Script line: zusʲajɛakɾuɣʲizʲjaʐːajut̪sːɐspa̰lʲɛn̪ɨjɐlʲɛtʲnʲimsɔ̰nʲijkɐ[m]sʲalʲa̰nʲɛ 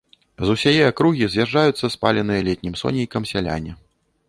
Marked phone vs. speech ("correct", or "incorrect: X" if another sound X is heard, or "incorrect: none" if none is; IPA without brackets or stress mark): correct